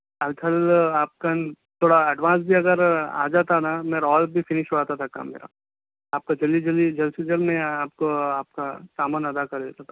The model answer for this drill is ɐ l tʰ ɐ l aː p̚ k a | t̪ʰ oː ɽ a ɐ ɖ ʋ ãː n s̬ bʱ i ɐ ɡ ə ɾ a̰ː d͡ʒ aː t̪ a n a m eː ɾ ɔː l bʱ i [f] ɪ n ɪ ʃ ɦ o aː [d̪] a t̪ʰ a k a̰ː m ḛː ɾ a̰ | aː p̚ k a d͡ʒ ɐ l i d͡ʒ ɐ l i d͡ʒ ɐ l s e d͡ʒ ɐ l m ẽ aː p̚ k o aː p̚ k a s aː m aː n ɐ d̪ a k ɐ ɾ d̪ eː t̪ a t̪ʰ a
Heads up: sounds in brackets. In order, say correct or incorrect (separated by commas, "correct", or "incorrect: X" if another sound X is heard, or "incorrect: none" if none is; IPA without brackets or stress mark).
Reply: correct, incorrect: t̪